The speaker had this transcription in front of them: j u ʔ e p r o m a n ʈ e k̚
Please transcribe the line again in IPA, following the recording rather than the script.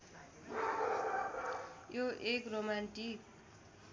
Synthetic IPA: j o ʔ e k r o m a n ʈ i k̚